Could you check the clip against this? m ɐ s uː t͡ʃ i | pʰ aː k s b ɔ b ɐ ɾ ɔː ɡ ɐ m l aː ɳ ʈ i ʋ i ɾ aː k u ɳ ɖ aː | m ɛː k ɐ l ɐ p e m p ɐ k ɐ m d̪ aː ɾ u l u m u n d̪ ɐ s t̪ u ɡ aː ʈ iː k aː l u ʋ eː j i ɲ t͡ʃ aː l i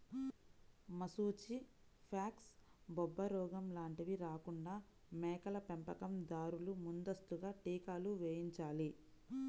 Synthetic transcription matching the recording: m ɐ s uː t͡ʃ i | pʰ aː k s b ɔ bː ɐ ɾ ɔː ɡ ɐ m l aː ɳ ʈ i ʋ i ɾ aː k u ɳ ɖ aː | m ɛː k ɐ l ɐ p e m p ɐ k ɐ m d̪ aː ɾ u l u m u n d̪ ɐ s t̪ u ɡ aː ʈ iː k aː l u ʋ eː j i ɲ t͡ʃ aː l i